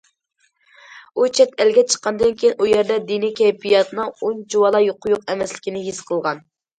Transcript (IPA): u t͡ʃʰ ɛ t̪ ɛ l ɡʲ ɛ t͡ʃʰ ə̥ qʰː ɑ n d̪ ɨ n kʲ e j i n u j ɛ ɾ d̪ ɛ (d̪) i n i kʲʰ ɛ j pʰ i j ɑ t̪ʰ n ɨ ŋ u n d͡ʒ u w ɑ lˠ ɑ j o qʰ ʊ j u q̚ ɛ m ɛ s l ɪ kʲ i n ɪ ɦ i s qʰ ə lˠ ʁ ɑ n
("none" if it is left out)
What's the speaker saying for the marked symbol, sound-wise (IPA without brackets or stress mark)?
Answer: d̪